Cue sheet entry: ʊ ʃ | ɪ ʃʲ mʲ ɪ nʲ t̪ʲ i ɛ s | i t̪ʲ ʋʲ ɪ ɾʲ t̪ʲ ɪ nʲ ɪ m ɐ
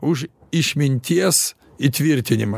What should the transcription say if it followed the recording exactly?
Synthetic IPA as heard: ʊ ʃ | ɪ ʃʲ mʲ ɪ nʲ t̪ʲ i ɛ s | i t̪ʲ ʋʲ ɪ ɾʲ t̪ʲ ɪ nʲ ɪ m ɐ